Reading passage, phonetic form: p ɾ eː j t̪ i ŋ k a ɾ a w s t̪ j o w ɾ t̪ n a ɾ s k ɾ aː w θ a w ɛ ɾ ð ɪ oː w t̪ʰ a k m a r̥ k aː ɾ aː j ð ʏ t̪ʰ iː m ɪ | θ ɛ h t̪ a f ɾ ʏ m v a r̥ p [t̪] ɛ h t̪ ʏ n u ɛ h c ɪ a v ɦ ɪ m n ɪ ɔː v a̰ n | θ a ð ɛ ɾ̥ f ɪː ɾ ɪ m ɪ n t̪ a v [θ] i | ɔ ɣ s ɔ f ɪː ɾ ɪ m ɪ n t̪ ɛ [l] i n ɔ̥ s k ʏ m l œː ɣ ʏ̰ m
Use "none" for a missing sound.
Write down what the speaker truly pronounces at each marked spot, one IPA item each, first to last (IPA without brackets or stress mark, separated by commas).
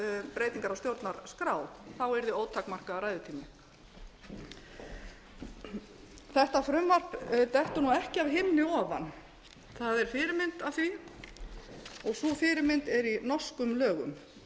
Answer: t̪, θ, ɾ